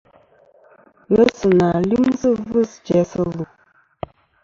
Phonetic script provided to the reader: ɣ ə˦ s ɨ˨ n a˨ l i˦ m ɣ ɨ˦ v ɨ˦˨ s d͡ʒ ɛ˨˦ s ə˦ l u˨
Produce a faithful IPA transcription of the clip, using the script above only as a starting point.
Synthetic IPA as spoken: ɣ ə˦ s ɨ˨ n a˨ l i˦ m z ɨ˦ v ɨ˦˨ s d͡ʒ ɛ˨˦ s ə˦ l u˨